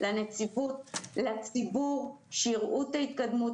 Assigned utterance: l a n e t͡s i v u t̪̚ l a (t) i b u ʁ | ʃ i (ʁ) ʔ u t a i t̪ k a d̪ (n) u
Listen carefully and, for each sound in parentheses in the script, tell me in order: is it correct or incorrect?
incorrect: t͡s, correct, incorrect: m

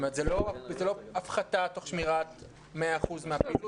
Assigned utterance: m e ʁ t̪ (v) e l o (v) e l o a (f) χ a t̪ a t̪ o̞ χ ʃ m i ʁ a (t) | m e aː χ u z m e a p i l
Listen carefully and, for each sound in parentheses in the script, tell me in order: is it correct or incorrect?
incorrect: z, incorrect: z, correct, correct

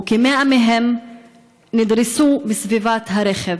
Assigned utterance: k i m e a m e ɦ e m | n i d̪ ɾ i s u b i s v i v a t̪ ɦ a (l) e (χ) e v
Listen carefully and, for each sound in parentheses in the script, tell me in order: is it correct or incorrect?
incorrect: ɾ, correct

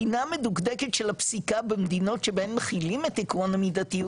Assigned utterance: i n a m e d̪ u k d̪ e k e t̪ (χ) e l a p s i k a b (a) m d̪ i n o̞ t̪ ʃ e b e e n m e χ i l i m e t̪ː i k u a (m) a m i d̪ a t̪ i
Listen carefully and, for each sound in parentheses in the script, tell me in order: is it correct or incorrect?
incorrect: ʃ, incorrect: e, incorrect: n

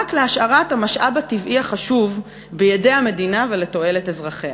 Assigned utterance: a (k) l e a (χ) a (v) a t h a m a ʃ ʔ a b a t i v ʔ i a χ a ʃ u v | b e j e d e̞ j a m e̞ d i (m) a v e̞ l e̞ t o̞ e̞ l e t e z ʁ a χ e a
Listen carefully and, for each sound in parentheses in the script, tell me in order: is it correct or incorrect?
correct, incorrect: ʃ, incorrect: ʁ, incorrect: n

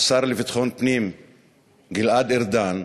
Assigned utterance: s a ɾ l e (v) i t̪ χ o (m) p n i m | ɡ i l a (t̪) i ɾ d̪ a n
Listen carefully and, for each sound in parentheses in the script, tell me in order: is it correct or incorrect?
correct, incorrect: n, incorrect: d̪

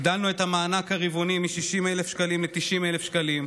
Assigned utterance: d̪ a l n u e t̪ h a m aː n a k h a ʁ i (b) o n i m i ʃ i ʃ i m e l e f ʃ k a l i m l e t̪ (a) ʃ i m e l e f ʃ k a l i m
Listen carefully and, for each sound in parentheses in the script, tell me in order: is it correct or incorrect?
incorrect: v, incorrect: i

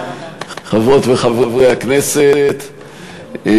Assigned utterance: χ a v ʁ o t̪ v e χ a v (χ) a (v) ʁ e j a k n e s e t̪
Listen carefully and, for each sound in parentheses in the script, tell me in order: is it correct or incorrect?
incorrect: ʁ, correct

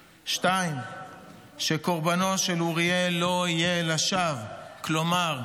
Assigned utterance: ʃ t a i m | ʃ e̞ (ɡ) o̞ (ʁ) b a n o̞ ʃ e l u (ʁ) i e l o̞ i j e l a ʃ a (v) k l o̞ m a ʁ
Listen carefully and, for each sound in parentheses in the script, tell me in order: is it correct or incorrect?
incorrect: k, correct, correct, correct

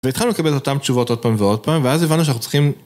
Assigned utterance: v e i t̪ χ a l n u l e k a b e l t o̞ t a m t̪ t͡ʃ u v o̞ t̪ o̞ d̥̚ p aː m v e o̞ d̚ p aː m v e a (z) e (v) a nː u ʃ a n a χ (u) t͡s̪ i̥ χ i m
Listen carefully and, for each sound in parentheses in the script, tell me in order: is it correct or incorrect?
correct, correct, correct

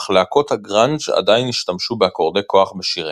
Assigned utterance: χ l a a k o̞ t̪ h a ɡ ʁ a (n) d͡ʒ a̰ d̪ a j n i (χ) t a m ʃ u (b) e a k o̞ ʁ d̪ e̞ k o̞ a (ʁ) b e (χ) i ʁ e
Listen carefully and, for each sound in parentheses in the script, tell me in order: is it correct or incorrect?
correct, incorrect: ʃ, correct, incorrect: χ, incorrect: ʃ

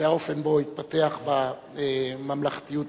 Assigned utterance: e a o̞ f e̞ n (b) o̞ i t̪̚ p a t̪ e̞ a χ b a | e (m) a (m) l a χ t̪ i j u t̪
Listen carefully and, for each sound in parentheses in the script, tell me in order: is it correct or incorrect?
correct, correct, correct

